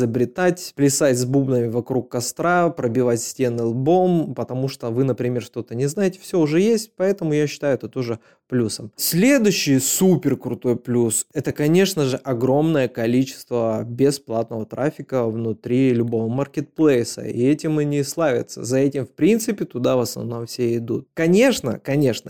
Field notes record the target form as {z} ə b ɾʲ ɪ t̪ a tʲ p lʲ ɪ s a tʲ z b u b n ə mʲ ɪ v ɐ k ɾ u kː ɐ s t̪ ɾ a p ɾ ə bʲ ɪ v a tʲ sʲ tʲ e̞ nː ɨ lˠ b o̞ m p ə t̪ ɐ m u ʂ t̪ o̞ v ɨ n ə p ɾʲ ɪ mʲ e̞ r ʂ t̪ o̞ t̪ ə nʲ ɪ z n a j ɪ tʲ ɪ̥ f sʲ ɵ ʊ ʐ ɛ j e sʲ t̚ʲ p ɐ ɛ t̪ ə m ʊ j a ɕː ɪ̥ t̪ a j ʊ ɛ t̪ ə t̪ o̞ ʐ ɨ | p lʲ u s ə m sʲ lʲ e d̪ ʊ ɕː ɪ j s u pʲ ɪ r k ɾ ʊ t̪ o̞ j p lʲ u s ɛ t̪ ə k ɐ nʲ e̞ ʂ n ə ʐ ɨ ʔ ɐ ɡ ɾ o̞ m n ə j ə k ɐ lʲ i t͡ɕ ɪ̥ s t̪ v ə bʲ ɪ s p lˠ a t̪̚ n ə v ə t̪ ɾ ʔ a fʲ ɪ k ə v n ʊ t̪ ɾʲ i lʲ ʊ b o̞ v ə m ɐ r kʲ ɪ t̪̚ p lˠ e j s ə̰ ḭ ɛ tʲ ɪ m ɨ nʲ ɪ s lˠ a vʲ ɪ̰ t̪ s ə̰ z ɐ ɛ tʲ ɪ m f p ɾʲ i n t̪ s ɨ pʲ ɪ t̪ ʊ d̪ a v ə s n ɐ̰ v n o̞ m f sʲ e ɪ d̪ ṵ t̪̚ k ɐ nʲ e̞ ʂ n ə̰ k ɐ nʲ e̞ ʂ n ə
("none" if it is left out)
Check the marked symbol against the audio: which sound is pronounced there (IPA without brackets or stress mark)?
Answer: z